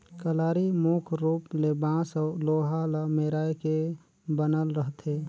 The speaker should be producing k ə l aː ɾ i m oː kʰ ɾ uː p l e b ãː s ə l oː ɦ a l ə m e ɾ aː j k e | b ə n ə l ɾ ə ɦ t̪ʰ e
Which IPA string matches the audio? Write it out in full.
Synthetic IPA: k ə l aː ɾ i m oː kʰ ɾ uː p l e b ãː s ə l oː ɦ a l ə m e ɾ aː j k e | b ə n ə l ɾ ə ɦ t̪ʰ e